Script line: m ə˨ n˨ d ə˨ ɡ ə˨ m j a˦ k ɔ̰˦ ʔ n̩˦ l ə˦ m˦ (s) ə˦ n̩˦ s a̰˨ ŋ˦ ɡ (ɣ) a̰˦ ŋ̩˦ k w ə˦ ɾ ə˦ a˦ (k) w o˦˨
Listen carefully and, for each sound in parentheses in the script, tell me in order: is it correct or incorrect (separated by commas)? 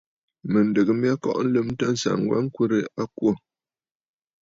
incorrect, incorrect, correct